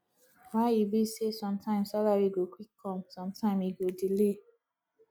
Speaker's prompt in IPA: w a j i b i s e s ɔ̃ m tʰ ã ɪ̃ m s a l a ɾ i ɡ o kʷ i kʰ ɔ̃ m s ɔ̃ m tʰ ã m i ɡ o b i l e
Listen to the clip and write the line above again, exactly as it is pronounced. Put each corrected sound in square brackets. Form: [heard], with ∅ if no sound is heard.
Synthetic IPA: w a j i b i s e s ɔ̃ m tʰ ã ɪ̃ m s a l a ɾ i ɡ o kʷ i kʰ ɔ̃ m s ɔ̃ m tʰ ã m i ɡ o [d] i l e